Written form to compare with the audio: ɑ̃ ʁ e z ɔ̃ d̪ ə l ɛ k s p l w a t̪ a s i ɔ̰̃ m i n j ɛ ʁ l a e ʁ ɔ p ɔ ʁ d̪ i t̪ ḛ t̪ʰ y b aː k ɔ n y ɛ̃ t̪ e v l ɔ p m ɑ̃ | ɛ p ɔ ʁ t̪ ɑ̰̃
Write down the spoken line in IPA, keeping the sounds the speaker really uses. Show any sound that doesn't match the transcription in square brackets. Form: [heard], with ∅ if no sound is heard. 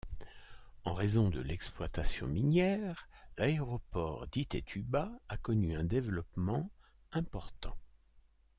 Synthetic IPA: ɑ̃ ʁ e z ɔ̃ d̪ ə l ɛ k s p l w a t̪ a s [j] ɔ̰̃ m i n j ɛ ʁ l a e ʁ ɔ p ɔ ʁ d̪ i t̪ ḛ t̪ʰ y b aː k ɔ n y ɛ̃ [d̪] e v l ɔ p m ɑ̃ | [ɛ̃] p ɔ ʁ t̪ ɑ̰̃